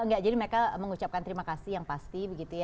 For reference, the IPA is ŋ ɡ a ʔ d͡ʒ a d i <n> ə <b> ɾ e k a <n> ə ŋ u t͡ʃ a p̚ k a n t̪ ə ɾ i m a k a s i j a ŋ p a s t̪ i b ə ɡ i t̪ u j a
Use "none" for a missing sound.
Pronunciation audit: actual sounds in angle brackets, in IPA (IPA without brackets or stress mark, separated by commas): m, none, m